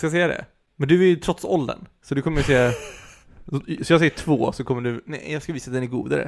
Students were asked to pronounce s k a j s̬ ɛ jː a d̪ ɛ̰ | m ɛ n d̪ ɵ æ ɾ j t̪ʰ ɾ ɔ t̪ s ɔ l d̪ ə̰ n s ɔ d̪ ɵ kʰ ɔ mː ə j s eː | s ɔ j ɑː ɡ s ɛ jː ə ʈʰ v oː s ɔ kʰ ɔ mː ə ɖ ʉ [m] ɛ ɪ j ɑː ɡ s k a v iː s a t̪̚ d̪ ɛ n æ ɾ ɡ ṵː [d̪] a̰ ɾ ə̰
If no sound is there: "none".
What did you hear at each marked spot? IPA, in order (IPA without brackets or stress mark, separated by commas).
n, d̪